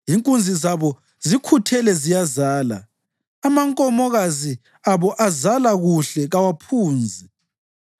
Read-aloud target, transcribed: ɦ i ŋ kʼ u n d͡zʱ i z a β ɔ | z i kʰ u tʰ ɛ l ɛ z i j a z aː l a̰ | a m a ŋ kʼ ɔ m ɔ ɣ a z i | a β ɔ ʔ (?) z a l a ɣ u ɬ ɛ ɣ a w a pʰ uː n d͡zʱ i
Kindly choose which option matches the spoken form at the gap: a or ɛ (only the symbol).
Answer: a